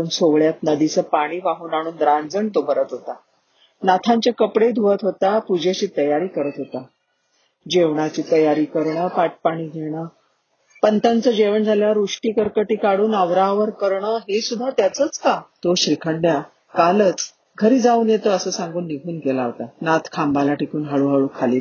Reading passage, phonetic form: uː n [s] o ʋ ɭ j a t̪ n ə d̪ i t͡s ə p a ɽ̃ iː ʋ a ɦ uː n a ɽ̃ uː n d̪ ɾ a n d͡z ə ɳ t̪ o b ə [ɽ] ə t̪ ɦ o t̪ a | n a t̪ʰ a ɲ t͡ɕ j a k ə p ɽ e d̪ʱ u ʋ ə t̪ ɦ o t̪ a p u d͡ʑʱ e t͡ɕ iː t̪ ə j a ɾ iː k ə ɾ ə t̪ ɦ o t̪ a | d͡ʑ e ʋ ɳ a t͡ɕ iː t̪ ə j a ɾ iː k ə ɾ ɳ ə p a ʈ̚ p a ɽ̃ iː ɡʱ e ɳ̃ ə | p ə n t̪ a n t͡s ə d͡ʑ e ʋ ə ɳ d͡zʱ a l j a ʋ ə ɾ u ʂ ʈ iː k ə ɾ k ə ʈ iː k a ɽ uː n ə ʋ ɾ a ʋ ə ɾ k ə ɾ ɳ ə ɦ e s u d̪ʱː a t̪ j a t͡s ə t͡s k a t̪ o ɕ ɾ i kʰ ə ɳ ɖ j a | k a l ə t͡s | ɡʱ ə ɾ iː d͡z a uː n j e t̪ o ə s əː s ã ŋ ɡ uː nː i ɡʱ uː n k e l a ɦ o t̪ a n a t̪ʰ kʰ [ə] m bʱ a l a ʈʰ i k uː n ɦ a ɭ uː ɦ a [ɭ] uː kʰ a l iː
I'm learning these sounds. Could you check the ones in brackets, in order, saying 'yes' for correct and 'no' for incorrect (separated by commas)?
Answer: yes, no, no, yes